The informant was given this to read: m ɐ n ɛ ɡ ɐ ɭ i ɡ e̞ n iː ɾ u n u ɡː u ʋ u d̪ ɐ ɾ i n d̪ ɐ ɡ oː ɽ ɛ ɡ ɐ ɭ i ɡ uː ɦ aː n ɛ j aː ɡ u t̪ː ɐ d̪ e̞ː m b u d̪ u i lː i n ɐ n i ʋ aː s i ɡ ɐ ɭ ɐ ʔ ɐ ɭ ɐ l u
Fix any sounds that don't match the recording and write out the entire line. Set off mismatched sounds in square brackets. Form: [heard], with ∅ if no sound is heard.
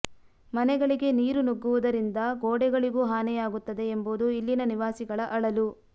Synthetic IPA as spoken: m ɐ n ɛ ɡ ɐ ɭ i ɡ e̞ n iː ɾ u n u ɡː u ʋ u d̪ ɐ ɾ i n d̪ ɐ ɡ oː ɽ ɛ ɡ ɐ ɭ i ɡ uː ɦ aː n ɛ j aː ɡ u t̪ː ɐ d̪ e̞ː m b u d̪ u i lː i n ɐ n i ʋ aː s i ɡ ɐ ɭ ɐ ʔ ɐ ɭ ɐ l u